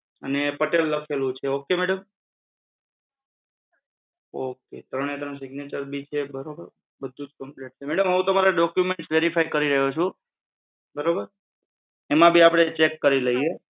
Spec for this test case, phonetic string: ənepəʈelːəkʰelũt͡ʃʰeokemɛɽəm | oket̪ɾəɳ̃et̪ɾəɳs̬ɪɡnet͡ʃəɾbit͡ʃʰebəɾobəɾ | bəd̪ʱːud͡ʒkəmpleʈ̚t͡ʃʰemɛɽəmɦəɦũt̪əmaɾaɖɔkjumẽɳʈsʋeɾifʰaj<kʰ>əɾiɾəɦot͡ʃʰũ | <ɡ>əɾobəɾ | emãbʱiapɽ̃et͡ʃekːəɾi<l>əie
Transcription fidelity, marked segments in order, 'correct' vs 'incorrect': incorrect, incorrect, correct

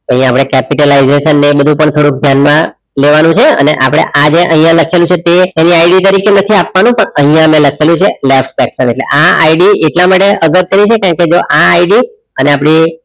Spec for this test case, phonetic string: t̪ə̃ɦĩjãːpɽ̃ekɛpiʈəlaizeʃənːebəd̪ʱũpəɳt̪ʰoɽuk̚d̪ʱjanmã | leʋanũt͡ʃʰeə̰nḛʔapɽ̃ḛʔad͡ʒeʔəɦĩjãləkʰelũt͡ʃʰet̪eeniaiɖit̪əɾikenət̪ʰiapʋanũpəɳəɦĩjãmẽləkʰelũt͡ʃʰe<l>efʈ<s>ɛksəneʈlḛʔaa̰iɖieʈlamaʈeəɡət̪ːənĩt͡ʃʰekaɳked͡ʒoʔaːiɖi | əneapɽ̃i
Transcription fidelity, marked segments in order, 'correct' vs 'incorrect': correct, correct

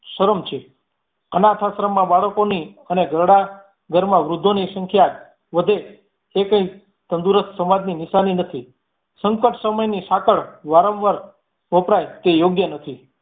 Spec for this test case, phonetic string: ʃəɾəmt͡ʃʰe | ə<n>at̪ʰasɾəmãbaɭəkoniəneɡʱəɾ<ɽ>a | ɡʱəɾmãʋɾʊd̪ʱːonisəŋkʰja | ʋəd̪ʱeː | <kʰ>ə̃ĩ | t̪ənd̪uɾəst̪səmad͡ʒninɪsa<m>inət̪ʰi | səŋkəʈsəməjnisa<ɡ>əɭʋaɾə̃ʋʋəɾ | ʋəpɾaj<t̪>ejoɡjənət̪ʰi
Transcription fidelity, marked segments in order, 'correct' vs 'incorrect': correct, correct, incorrect, incorrect, incorrect, correct

